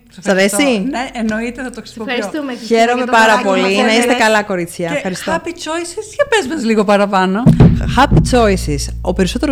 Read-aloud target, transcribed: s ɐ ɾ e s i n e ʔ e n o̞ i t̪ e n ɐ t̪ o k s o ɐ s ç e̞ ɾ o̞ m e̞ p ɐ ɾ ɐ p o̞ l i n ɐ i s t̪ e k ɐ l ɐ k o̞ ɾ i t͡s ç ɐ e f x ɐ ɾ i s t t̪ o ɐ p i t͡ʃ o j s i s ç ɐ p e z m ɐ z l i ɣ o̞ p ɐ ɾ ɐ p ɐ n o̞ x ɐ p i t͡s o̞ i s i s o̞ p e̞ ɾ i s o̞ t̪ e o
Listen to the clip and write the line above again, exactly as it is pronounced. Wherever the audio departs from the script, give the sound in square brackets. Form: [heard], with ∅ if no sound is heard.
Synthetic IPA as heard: s ɐ ɾ e s i n e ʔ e n o̞ i t̪ e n ɐ t̪ o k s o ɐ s ç e̞ ɾ o̞ m e̞ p ɐ ɾ ɐ p o̞ l i n ɐ i s t̪ e k ɐ l ɐ k o̞ ɾ i t͡s ç ɐ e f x ɐ ɾ i s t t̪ o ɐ p i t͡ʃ o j s i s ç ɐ p e z m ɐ z l i ɣ o̞ p ɐ ɾ ɐ p ɐ n o̞ x ɐ p i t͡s o̞ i s i s o̞ p e̞ ɾ i s o̞ t̪ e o